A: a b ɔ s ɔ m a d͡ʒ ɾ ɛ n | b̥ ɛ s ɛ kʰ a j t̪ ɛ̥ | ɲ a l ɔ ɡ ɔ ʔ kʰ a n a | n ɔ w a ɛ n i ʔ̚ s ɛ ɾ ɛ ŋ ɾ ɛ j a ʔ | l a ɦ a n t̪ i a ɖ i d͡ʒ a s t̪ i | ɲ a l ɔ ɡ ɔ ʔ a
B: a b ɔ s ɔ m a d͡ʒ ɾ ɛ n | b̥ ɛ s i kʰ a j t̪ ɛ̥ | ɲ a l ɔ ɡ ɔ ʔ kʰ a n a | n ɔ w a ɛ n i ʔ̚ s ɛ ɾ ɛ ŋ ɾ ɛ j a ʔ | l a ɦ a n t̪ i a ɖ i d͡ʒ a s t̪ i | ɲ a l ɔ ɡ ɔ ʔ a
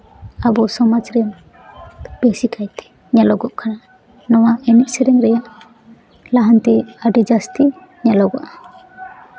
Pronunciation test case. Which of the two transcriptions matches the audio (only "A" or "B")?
B